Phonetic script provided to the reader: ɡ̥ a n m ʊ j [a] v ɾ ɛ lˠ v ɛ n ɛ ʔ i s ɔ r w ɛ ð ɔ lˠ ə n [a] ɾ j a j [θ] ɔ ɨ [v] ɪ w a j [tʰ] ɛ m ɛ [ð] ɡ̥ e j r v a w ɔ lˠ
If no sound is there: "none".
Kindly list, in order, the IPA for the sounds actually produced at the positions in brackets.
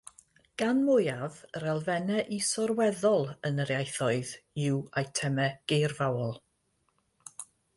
a, ə, θ, ð, tʰ, none

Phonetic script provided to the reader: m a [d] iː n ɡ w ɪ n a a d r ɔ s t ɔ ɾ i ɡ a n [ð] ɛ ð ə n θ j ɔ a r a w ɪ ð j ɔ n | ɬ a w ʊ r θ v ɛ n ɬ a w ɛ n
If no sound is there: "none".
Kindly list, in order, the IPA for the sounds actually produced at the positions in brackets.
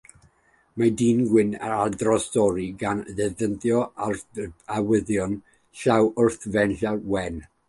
d, ð

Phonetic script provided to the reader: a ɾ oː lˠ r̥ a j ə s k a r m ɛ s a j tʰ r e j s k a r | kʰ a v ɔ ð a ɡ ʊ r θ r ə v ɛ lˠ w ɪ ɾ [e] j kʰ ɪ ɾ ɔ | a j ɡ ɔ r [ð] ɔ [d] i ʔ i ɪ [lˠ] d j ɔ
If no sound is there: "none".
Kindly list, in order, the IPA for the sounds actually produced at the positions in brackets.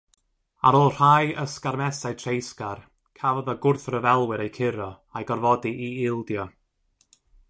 e, v, d, lˠ

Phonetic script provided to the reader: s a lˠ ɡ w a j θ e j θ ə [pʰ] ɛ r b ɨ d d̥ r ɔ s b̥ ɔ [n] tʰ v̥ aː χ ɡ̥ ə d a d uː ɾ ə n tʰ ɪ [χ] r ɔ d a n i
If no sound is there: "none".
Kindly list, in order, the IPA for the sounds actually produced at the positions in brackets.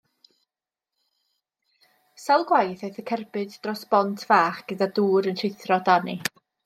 kʰ, n, θ

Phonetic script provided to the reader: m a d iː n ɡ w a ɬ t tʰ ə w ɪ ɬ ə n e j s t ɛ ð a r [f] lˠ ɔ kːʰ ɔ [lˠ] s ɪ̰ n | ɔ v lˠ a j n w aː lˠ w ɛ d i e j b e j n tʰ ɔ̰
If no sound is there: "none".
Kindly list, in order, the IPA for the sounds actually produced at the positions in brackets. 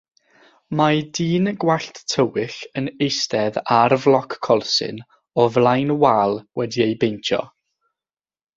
v, lˠ

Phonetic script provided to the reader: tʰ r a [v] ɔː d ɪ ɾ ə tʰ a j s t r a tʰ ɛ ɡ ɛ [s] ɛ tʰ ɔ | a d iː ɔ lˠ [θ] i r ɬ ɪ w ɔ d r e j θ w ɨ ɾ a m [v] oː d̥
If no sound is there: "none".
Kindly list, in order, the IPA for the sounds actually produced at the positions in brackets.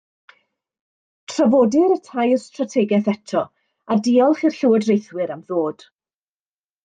v, θ, χ, ð

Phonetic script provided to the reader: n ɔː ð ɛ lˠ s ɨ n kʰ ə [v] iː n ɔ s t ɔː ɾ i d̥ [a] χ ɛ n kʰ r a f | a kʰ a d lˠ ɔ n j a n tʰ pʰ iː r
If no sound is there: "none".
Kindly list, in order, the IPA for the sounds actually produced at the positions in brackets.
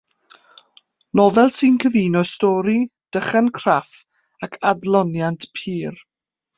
v, ə

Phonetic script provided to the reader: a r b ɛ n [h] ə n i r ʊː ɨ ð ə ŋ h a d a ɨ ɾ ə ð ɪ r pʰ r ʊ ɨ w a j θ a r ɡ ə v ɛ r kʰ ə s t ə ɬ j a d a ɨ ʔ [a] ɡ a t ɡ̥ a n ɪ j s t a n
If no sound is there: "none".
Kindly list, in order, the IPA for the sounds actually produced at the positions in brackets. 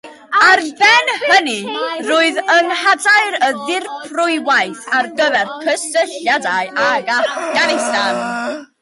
h, a

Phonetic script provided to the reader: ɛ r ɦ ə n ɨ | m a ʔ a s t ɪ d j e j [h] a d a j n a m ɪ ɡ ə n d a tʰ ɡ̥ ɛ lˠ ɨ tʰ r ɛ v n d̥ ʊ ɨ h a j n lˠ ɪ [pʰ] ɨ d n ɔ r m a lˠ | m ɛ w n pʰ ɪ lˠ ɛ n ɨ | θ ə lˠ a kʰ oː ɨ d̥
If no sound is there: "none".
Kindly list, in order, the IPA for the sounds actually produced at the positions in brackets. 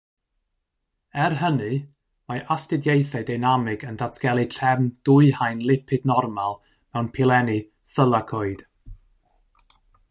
θ, pʰ

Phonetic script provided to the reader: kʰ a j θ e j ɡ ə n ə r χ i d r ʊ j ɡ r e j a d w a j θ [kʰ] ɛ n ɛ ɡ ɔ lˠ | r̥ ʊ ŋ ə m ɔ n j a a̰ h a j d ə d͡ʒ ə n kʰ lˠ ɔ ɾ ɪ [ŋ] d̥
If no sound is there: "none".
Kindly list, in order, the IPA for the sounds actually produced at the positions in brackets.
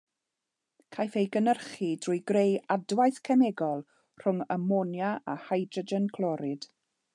kʰ, none

